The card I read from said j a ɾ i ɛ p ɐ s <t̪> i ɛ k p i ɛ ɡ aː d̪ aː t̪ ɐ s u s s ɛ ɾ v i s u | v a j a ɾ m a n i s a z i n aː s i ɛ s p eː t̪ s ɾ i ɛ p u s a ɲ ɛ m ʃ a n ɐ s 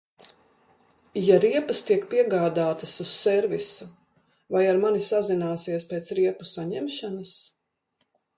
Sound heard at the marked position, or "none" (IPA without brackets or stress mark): t̪